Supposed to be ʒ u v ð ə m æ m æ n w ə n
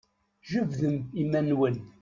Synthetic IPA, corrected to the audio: ʒ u v ð ə m i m æ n w ə n